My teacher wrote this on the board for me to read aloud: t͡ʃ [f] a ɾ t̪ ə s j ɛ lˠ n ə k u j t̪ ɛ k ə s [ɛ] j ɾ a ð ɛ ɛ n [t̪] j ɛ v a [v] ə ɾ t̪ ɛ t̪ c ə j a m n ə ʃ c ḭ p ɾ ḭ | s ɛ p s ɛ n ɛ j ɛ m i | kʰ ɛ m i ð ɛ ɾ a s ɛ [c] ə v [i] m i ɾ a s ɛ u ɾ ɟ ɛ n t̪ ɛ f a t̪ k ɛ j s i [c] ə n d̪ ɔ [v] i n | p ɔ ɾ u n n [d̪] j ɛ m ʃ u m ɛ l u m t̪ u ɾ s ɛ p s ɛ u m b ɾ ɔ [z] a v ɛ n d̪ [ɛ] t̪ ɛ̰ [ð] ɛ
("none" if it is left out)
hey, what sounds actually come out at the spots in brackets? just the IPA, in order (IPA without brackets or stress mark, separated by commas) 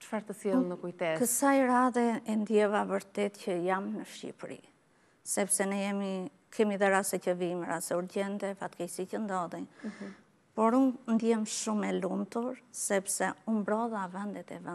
f, a, d̪, v, c, i, c, ð, d̪, ð, ɛ, v